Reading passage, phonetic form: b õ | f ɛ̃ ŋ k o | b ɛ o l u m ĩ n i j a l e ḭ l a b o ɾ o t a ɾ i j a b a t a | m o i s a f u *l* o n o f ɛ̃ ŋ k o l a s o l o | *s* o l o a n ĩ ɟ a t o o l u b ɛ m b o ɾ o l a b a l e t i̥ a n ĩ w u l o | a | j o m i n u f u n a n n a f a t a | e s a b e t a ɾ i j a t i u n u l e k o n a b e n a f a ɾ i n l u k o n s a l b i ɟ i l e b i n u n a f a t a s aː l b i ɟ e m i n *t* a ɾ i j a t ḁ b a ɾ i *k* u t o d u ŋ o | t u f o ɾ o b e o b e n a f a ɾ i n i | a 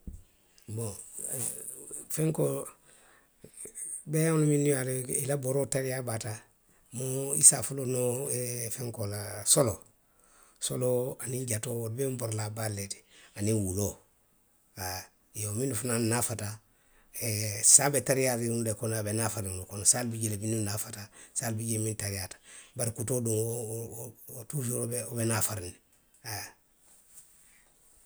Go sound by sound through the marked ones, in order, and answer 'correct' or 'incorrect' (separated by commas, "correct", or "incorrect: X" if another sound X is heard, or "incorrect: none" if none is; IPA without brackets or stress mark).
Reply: correct, correct, correct, correct